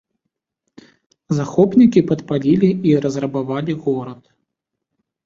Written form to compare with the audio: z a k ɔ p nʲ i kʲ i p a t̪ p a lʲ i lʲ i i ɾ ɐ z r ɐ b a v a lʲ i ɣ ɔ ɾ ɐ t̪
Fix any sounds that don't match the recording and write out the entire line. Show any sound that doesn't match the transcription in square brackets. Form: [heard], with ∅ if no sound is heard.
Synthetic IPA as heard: z a [x] ɔ p nʲ i kʲ i p [ɐ] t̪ p a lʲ i lʲ i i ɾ ɐ z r ɐ b a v a lʲ i ɣ ɔ ɾ ɐ t̪